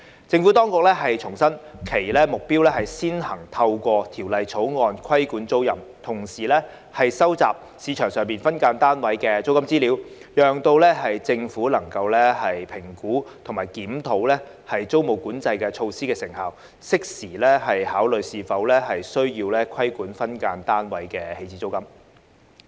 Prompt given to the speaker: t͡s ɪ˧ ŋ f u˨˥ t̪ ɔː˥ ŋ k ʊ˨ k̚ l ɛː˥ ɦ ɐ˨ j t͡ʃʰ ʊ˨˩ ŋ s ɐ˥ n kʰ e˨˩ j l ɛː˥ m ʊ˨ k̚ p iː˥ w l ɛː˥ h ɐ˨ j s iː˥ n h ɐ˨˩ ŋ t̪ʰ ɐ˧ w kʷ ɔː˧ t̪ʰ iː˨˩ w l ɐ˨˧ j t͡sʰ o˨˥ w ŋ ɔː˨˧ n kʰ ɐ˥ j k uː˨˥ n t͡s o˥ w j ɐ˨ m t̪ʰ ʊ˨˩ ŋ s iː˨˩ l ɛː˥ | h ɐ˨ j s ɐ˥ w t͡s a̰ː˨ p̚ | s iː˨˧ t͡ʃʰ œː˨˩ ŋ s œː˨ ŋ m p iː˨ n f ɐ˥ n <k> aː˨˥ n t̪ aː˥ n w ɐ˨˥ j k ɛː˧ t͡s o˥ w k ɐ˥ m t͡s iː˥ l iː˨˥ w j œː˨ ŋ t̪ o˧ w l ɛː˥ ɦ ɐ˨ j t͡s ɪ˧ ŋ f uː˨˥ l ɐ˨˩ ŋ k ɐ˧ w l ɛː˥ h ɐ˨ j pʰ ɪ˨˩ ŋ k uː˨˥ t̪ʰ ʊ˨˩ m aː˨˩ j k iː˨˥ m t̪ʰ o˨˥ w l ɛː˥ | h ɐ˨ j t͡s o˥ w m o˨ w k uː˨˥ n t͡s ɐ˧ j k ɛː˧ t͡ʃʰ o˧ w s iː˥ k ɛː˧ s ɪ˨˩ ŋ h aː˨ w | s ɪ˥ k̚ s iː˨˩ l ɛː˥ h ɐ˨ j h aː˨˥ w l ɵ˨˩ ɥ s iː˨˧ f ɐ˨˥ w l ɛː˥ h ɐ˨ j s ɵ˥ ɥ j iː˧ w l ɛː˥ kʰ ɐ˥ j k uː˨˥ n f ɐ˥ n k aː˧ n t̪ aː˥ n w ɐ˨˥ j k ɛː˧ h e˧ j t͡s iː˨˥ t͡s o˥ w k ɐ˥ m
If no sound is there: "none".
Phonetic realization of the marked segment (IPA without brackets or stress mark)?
k